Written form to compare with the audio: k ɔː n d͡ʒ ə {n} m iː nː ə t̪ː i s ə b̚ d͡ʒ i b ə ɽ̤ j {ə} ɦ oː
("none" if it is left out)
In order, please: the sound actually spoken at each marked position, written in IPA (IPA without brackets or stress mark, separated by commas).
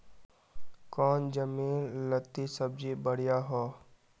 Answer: none, a